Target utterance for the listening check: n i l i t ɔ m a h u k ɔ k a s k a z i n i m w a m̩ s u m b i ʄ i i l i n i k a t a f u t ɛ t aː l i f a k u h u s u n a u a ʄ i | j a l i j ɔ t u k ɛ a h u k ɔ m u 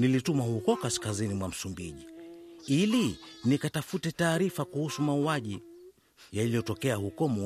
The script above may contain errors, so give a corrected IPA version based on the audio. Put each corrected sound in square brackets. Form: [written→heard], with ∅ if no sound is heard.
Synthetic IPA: n i l i t [ɔ→u] m a h u k ɔ k a s k a z i n i m w a m̩ s u m b i ʄ i i l i n i k a t a f u t ɛ t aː [l→ɾ] i f a k u h u s u [n→m] a u a ʄ i | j a l i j ɔ t [u→ɔ] k ɛ a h u k ɔ m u